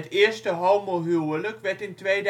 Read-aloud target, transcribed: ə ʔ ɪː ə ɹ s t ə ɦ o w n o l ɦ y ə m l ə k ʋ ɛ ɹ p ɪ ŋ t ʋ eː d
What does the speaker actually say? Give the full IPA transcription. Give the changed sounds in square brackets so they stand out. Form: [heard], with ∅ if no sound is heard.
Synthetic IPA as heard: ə [t] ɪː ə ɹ s t ə ɦ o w [m] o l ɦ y ə [∅] l ə k ʋ ɛ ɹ [t] ɪ [n] t ʋ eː d